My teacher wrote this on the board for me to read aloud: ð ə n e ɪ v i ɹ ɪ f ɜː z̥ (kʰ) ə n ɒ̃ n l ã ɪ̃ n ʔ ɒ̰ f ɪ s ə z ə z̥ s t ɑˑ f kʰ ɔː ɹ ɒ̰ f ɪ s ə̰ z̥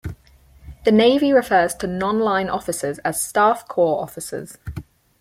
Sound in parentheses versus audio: incorrect: tʰ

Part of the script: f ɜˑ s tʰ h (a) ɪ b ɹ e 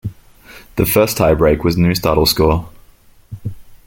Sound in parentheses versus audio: correct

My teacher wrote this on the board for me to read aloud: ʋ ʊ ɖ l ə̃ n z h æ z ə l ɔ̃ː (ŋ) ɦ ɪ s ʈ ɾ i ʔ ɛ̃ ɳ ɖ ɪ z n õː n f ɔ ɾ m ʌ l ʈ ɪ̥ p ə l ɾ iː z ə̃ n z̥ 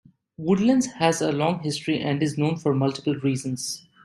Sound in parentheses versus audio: correct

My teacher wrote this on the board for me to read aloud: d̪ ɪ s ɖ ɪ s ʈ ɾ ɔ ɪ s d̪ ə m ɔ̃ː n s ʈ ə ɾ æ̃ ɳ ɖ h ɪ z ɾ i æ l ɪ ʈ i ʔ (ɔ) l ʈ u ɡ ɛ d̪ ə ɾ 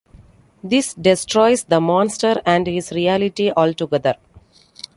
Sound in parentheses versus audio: incorrect: ɔː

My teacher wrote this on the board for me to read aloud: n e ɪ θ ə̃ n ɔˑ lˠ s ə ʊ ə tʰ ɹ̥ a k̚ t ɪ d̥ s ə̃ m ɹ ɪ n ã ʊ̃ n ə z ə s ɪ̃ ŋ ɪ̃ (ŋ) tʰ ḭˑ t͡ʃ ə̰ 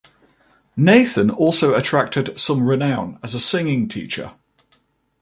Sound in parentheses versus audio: correct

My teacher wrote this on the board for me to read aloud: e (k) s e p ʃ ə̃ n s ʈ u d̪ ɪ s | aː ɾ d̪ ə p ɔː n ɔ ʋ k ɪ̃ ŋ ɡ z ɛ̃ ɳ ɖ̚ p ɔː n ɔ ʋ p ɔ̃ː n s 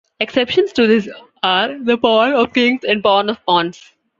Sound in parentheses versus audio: correct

